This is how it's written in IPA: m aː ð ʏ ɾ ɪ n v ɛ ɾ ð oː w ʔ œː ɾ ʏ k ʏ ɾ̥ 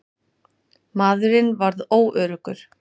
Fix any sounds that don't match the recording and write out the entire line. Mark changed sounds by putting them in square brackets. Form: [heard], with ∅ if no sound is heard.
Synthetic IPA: m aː ð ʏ ɾ ɪ n v [a] ɾ ð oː w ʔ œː ɾ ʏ k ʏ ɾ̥